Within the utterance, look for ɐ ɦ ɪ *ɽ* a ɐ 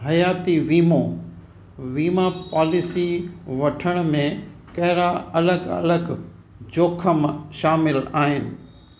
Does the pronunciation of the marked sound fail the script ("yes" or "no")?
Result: yes